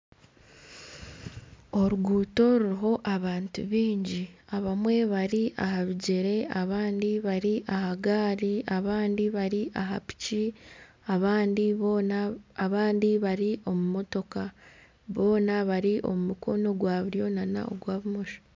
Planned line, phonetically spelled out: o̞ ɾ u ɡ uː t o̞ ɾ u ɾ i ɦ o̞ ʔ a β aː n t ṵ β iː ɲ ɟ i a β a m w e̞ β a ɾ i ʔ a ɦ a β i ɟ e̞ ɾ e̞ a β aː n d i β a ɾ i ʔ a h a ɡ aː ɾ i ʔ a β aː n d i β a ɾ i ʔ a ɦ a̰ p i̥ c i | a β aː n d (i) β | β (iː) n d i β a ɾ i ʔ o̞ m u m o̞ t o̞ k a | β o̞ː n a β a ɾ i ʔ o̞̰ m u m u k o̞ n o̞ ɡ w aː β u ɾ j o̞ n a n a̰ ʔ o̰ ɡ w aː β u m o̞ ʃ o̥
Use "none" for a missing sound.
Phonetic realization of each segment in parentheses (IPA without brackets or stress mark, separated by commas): i, aː